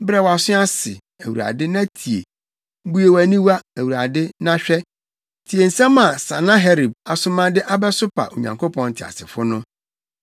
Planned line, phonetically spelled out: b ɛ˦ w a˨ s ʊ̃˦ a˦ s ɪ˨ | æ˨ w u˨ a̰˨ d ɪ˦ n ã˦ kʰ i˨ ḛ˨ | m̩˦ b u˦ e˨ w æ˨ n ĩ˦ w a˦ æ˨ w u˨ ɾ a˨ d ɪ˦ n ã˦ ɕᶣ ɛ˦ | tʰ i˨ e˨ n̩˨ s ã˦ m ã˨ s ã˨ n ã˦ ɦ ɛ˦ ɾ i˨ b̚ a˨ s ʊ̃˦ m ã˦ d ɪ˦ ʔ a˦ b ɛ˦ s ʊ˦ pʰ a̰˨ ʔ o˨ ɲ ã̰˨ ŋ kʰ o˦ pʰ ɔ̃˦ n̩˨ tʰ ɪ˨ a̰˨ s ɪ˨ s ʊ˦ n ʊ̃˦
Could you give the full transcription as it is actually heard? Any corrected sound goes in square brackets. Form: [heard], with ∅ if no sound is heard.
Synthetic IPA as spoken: b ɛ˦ w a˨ s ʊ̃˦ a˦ s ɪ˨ | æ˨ w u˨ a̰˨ d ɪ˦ n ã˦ [tʰ] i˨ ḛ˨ | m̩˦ b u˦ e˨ w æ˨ n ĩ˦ w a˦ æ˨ w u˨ ɾ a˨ d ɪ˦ n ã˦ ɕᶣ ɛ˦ | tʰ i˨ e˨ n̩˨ s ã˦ m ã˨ s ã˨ n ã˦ ɦ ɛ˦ ɾ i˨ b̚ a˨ s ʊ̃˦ m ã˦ d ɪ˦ ʔ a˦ b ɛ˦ s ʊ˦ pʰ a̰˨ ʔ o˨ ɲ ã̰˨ ŋ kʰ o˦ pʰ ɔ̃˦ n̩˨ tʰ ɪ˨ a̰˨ s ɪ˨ [f] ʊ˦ n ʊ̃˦